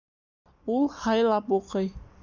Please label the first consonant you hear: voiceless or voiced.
voiced